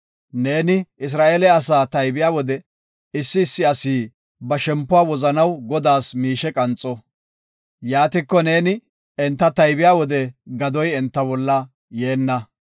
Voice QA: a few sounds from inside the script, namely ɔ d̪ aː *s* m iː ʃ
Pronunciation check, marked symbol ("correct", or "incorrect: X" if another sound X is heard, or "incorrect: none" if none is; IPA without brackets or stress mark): correct